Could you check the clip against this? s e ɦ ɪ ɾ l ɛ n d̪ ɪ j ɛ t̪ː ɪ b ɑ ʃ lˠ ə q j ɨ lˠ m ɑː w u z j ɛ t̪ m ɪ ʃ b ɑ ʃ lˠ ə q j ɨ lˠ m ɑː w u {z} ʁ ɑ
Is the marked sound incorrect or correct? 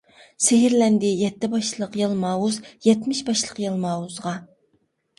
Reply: correct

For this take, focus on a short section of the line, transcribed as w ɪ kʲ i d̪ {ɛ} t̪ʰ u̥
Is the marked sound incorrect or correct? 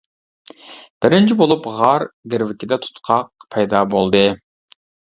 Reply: correct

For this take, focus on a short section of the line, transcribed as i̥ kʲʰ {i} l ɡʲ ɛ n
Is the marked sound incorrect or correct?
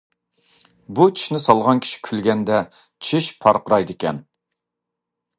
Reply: incorrect: y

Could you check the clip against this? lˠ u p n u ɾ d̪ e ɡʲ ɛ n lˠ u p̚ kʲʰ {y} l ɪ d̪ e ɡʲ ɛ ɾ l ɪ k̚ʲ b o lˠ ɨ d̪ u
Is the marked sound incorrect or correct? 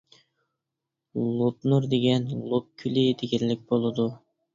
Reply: correct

